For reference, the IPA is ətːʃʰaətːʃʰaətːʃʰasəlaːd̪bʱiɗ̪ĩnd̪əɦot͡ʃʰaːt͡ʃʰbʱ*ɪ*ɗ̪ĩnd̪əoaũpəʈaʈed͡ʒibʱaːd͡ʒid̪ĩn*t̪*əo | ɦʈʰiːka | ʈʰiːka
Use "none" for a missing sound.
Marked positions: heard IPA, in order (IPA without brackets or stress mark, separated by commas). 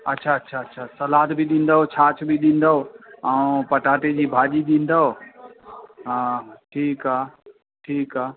i, d̪